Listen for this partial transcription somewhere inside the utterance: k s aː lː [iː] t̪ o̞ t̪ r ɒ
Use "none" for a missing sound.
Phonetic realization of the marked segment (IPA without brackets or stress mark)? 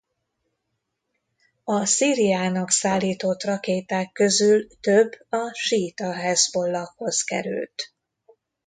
iː